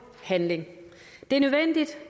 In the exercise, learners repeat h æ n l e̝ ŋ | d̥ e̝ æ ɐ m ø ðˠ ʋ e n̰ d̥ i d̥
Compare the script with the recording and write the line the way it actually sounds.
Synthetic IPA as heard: h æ n l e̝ ŋ | d̥ e̝ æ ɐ n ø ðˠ ʋ e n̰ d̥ i d̥